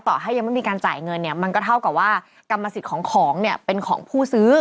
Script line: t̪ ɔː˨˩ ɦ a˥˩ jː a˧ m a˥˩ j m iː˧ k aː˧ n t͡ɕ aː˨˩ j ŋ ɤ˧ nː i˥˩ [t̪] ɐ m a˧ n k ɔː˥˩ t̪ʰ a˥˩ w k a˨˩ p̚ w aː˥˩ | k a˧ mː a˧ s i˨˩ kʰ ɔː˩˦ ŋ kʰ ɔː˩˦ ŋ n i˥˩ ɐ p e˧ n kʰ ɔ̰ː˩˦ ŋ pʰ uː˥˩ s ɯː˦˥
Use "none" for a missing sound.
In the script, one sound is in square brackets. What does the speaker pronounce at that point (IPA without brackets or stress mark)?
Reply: none